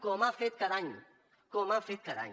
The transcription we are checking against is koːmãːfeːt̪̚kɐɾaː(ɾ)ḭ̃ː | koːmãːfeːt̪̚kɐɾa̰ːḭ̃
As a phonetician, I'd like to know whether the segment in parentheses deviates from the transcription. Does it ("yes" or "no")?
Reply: yes